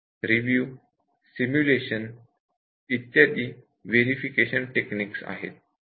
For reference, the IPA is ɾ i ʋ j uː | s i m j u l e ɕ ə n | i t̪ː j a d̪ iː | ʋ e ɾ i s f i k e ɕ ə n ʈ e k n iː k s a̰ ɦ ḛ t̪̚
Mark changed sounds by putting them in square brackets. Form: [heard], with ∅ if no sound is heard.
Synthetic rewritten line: ɾ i ʋ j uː | s i m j u l e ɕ ə n | i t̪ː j a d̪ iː | ʋ e ɾ i [∅] f i k e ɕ ə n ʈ e k n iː k s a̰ ɦ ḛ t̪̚